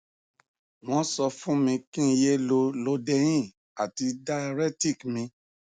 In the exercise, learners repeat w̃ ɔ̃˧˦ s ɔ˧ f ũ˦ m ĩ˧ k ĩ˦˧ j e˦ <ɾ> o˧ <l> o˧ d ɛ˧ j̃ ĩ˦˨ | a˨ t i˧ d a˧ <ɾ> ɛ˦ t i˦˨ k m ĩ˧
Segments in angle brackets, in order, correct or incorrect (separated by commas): incorrect, correct, correct